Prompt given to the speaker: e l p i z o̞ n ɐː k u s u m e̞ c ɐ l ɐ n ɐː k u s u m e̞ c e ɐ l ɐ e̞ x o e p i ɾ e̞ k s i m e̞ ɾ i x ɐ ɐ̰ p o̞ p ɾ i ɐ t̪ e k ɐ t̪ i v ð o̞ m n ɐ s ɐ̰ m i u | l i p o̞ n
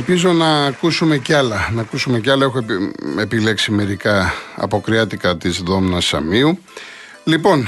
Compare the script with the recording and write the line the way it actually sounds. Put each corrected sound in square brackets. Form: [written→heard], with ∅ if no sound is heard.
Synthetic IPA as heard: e l p i z o̞ n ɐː k u s u m e̞ c ɐ l ɐ n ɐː k u s u m e̞ c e ɐ l ɐ e̞ x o e p i [ɾ→l] e̞ k s i m e̞ ɾ i [x→k] ɐ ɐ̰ p o̞ [p→k] ɾ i ɐ t̪ [e→i] k ɐ t̪ i [v→z] ð o̞ m n ɐ s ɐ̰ m i u | l i p o̞ n